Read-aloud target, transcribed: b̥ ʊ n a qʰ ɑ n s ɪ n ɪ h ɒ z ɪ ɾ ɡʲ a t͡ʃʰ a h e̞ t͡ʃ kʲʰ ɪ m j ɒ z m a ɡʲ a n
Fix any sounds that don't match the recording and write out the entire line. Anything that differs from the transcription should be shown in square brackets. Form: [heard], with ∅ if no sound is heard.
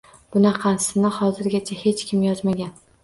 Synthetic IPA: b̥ ʊ n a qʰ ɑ n s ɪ n ɪ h ɒ z ɪ ɾ ɡʲ a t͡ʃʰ a h e̞ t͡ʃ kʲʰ ɪ m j ɒ z m a ɡʲ a n